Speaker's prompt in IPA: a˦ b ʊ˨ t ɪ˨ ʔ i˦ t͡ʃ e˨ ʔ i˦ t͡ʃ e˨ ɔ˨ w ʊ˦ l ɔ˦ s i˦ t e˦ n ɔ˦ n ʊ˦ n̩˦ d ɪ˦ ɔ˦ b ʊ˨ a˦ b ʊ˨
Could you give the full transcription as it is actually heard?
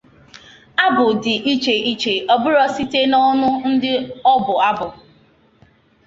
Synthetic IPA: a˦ b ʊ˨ d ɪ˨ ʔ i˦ t͡ʃ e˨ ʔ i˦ t͡ʃ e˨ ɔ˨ b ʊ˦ ɾ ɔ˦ s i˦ t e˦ n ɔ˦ n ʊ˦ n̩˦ d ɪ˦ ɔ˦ b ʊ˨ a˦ b ʊ˨